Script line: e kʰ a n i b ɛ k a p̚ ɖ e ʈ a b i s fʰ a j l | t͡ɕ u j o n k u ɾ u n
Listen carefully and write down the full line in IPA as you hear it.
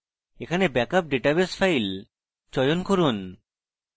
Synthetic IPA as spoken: e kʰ a n e b ɛ k a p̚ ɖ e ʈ a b e s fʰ a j l | t͡ɕ ɔ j o n k o ɾ u n